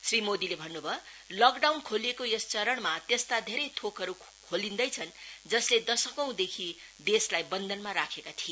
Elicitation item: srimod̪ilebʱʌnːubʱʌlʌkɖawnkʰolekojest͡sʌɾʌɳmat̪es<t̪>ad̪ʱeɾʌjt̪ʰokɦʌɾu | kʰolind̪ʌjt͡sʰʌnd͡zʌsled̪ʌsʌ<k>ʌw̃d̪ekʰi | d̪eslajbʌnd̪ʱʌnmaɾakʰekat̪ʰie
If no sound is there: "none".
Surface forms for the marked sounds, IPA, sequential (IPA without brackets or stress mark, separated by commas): t̪, k